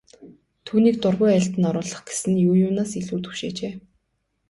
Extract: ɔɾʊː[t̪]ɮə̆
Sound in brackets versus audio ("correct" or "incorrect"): incorrect